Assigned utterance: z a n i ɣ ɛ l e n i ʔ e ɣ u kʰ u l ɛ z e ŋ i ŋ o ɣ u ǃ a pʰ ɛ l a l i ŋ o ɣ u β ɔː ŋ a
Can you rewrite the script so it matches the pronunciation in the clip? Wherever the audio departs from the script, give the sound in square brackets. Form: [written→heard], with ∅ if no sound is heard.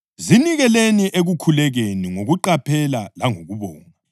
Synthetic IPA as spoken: z [a→i] n i ɣ ɛ l e n i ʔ e ɣ u kʰ u l ɛ [z→ɣ] e [ŋ→n] i ŋ o ɣ u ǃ a pʰ ɛ l a l [i→a] ŋ o ɣ u β ɔː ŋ a